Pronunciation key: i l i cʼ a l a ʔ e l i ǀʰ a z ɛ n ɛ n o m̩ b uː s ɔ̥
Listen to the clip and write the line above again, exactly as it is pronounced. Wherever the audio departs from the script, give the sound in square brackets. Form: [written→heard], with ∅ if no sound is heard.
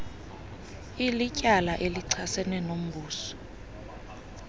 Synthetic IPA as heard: i l i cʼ a l a ʔ e l i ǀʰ a [z→s] ɛ n ɛ n o m̩ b uː s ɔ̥